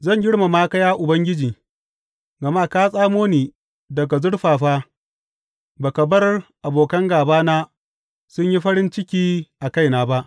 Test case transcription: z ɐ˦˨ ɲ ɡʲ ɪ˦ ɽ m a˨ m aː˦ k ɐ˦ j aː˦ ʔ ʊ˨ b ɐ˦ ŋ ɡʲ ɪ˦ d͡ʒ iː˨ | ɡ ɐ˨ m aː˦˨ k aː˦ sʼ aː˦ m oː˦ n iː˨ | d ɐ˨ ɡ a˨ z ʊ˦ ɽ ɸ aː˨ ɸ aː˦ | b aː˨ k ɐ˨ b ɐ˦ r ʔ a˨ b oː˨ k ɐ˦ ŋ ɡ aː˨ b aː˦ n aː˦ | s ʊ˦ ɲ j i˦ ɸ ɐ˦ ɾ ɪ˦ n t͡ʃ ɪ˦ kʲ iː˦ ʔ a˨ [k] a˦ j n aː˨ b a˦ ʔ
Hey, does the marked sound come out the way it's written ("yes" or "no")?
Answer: yes